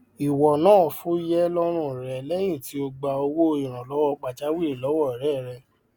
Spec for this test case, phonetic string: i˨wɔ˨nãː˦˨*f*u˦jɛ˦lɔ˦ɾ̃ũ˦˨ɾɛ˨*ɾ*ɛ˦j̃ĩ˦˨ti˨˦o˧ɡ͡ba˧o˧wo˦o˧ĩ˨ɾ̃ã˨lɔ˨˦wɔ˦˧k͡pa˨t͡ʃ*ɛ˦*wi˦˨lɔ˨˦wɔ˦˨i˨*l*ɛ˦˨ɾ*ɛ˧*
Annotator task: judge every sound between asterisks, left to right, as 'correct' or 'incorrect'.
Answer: correct, incorrect: l, incorrect: a˦, incorrect: ɾ, correct

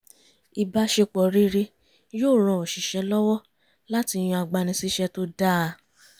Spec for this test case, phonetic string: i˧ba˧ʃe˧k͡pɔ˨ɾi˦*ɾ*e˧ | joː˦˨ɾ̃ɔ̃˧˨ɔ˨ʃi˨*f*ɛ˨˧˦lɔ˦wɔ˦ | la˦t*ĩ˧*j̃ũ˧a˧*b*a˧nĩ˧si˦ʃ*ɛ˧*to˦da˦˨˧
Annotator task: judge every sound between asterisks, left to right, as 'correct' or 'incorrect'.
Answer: correct, incorrect: ʃ, incorrect: i˧, incorrect: ɡ͡b, correct

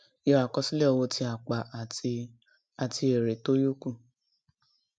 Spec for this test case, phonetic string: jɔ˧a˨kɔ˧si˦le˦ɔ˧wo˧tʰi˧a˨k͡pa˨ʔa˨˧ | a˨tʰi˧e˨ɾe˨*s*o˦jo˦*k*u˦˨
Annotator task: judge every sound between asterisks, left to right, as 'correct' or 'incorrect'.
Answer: incorrect: t, correct

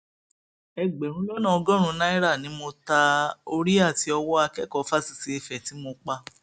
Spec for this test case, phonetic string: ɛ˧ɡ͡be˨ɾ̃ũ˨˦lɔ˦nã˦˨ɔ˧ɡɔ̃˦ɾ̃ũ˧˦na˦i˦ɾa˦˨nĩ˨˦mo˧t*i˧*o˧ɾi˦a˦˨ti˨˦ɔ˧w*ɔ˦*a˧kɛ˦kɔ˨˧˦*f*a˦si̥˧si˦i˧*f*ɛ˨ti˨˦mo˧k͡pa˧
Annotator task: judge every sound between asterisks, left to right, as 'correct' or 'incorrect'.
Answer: incorrect: a˧, correct, correct, correct

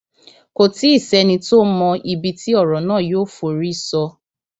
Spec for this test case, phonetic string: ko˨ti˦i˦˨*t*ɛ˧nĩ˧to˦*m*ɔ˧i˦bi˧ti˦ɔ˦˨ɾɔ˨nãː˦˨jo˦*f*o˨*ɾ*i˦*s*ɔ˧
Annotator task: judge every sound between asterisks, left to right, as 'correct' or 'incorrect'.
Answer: incorrect: s, correct, correct, correct, correct

